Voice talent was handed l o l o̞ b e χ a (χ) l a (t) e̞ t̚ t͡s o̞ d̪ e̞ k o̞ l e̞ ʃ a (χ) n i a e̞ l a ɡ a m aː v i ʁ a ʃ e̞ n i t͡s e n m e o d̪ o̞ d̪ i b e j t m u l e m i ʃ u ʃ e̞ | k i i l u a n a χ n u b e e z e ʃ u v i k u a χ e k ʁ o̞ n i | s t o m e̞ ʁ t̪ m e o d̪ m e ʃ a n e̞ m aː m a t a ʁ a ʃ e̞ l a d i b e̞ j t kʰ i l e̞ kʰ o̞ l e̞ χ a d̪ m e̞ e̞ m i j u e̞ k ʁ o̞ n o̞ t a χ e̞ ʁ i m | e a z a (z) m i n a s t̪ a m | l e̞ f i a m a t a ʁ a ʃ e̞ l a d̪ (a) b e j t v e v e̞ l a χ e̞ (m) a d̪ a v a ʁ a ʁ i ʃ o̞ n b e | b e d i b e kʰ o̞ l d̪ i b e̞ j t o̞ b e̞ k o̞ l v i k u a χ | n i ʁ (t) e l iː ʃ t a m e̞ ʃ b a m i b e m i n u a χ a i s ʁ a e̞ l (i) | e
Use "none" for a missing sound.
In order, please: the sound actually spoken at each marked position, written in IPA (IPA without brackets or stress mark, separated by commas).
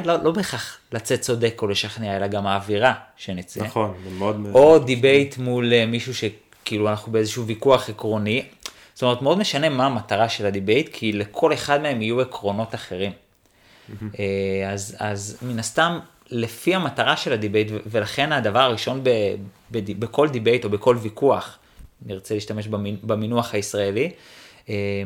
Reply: χ, t͡s, χ, z, i, n, t͡s, i